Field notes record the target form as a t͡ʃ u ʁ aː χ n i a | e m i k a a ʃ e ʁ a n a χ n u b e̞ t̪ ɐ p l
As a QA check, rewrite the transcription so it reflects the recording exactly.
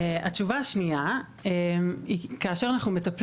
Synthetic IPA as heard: a t͡ʃ u v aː ʃ n i a | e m i k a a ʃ e ʁ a n a χ n u m e̞ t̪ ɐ p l